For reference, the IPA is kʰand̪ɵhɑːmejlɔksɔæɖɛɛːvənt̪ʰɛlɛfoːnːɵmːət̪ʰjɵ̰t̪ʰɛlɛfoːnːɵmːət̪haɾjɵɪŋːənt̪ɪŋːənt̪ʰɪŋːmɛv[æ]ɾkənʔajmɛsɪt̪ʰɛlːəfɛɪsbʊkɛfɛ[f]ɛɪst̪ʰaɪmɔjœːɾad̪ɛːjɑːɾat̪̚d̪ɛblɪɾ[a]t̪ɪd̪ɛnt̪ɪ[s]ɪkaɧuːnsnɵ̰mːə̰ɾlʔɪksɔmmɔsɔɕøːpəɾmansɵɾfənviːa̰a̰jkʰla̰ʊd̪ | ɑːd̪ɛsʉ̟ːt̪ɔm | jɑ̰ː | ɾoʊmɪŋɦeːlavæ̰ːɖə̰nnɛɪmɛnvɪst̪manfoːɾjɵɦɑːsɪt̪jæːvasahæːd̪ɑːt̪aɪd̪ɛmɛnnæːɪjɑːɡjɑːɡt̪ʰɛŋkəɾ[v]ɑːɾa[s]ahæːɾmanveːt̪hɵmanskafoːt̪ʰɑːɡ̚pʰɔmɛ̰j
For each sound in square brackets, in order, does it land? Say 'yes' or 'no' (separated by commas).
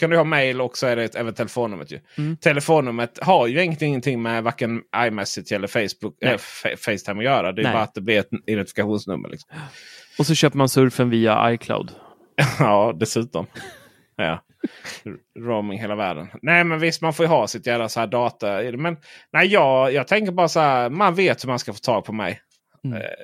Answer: no, yes, no, no, no, yes